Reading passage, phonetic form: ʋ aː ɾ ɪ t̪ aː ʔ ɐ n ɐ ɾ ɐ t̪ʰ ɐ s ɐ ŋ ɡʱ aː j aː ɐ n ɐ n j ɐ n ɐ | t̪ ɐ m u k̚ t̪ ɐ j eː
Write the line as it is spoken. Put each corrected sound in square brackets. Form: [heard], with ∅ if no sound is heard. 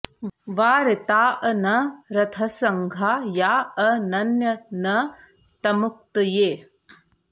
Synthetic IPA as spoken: ʋ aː ɾ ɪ t̪ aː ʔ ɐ n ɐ ɾ ɐ t̪ʰ ɐ s ɐ ŋ ɡʱ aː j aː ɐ n ɐ n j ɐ n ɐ | t̪ ɐ m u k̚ t̪ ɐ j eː